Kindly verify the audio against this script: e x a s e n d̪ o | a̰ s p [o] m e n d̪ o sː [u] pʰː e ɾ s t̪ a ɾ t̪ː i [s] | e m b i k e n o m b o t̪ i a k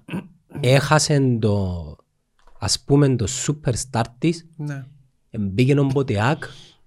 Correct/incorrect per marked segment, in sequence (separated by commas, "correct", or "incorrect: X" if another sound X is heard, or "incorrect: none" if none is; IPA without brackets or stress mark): incorrect: u, correct, correct